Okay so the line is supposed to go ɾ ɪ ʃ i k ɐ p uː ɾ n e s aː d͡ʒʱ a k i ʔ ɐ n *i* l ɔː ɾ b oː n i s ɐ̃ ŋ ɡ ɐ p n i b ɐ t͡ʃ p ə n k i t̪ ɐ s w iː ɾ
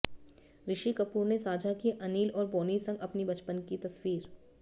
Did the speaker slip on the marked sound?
yes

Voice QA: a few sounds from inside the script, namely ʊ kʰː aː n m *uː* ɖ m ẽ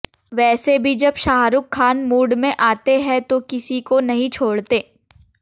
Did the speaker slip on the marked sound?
no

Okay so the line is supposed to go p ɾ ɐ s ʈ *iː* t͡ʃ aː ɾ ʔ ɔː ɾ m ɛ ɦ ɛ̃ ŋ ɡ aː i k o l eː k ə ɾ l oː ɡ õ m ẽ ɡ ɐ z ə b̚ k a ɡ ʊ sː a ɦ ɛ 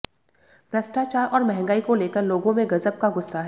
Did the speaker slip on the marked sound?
yes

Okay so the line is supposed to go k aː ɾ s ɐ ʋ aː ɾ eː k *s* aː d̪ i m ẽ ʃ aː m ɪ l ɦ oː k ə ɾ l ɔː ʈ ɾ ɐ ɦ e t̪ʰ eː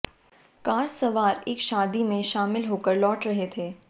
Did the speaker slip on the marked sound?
yes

